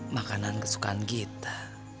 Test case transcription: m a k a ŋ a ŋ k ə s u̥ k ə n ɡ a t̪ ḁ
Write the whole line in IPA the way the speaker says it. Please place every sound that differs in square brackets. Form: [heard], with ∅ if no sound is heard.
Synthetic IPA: m a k a [n] a [n] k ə s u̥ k [a] n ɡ [i] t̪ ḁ